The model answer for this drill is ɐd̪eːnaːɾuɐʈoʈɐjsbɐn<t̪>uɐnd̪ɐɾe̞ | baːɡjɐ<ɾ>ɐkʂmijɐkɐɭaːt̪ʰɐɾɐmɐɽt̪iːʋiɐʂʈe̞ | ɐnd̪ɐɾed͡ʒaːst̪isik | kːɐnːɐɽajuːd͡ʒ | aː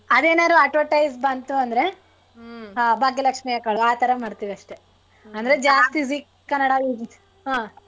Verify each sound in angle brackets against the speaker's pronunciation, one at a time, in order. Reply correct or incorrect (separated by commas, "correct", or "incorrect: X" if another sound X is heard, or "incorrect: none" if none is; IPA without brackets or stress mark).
correct, incorrect: l